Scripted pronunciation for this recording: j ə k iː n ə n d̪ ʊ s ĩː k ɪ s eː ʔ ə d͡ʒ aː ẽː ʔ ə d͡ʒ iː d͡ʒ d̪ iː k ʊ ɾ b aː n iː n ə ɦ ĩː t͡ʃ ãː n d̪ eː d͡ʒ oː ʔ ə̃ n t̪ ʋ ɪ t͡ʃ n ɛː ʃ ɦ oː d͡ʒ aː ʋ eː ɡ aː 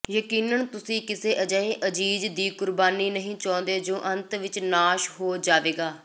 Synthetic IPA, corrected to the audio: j ə k iː n ə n t̪ ʊ s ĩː k ɪ s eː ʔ ə d͡ʒ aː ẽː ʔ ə d͡ʒ iː d͡ʒ d̪ iː k ʊ ɾ b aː n iː n ə ɦ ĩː t͡ʃ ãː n d̪ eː d͡ʒ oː ʔ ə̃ n t̪ ʋ ɪ t͡ʃ n aː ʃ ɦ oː d͡ʒ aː ʋ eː ɡ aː